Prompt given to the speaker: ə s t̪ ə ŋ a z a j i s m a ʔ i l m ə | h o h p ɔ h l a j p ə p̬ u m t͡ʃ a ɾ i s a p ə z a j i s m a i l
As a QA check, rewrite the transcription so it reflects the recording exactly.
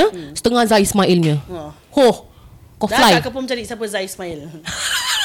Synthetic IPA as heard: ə s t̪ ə ŋ a z a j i s m a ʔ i l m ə | h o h k ɔ f l a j k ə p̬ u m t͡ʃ a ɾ i s a p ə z a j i s m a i l